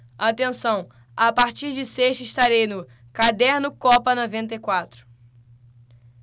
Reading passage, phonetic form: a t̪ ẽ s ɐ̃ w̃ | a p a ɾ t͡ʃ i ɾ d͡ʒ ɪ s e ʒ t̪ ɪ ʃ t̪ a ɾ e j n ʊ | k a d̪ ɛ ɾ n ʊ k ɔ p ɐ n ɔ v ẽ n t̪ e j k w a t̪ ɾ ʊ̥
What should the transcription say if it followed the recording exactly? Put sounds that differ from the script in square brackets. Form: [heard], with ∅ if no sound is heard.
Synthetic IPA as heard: a t̪ ẽ s ɐ̃ w̃ | a p a ɾ t͡ʃ i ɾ d͡ʒ ɪ s e [ʃ] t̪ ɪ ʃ t̪ a ɾ e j n ʊ | k a d̪ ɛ ɾ n ʊ k ɔ p ɐ n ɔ v ẽ n t̪ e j k w a t̪ ɾ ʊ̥